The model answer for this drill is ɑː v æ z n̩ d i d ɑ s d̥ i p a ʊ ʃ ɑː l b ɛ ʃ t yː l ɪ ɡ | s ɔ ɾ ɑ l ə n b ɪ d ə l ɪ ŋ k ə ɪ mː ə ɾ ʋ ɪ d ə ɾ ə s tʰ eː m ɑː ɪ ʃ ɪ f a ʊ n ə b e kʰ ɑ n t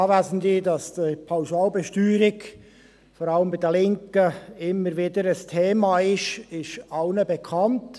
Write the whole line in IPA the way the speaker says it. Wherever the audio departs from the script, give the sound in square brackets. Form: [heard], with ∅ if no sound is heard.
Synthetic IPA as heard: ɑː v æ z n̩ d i d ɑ s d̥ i [pʰ] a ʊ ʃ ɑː l b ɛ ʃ t yː [ɾ] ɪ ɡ | [f] ɔ ɾ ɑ l ə [m] b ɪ d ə l ɪ ŋ k ə ɪ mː ə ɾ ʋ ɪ d ə ɾ ə s tʰ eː m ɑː ɪ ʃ ɪ [ʃ] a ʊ n ə b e kʰ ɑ n t